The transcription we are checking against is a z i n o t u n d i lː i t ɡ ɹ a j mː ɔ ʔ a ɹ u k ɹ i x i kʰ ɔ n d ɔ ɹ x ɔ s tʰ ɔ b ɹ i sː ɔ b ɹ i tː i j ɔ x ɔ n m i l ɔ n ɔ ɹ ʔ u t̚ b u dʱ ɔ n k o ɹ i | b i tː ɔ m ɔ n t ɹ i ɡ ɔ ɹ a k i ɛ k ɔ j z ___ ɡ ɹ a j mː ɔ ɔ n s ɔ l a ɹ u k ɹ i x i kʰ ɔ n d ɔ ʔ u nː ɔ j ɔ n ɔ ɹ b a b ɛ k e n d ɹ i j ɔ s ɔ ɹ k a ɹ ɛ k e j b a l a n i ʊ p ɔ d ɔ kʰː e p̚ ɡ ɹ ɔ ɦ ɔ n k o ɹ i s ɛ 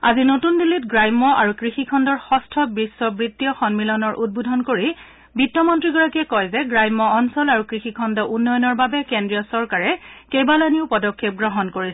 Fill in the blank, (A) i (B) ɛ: B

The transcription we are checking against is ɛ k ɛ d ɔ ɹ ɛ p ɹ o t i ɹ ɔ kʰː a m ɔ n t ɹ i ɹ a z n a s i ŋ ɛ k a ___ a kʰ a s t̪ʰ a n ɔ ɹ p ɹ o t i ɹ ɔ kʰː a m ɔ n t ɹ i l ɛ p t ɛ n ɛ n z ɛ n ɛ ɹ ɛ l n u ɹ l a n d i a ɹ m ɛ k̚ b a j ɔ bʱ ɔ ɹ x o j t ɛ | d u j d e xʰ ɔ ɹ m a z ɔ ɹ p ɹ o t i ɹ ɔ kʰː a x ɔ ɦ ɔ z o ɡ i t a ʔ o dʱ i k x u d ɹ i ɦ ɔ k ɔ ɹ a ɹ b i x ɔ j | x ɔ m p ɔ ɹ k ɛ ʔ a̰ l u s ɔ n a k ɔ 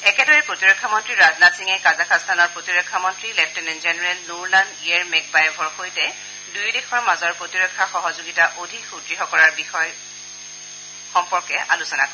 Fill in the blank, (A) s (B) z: B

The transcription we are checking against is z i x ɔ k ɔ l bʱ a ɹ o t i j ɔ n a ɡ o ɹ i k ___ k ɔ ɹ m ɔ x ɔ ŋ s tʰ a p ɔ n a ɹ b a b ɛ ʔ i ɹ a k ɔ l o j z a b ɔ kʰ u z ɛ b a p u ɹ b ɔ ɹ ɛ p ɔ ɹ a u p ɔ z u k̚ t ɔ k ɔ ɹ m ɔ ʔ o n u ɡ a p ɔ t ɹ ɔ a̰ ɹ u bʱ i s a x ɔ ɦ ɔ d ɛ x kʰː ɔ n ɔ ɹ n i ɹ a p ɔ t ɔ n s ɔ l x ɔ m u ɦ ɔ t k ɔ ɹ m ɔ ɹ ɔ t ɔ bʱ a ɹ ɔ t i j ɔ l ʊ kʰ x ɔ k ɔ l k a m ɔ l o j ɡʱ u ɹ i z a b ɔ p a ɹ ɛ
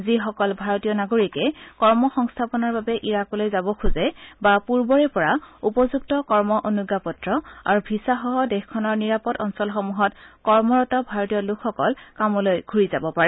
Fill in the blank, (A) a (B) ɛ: B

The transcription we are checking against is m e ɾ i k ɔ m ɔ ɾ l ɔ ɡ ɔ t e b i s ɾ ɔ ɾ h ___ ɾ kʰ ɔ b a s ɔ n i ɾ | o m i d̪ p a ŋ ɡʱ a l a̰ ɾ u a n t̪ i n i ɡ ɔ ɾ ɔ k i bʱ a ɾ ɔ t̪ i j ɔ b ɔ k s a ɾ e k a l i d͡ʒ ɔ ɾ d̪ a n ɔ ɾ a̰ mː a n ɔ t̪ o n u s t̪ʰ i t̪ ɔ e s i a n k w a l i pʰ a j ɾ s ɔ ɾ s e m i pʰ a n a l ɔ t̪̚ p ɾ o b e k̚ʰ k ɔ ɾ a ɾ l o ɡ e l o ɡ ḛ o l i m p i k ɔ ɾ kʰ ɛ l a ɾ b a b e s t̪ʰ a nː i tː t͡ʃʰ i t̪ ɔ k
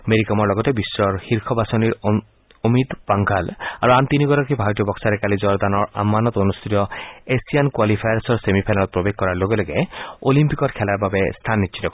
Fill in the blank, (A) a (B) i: B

